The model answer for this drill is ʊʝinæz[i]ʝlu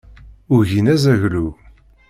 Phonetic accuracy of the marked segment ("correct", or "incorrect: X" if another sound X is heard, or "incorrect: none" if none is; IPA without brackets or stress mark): incorrect: æ